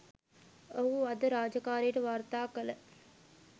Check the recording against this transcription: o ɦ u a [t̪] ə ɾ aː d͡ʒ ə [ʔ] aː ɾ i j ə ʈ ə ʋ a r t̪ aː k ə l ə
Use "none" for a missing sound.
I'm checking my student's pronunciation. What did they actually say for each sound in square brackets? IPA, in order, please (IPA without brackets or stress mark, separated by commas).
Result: d̪, k